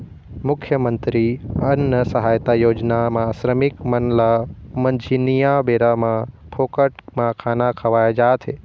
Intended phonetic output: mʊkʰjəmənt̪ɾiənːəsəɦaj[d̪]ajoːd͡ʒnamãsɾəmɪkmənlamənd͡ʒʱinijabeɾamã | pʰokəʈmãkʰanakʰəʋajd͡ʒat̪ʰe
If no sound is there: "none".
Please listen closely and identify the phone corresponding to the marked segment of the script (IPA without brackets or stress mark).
t̪